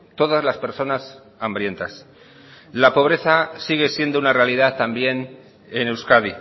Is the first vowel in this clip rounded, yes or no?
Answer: yes